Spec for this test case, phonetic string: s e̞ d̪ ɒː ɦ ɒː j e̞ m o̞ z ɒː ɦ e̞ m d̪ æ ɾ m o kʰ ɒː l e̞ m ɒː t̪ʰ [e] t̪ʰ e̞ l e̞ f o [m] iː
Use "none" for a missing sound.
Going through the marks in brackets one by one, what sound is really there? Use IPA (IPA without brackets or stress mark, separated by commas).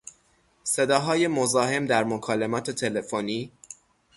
e, n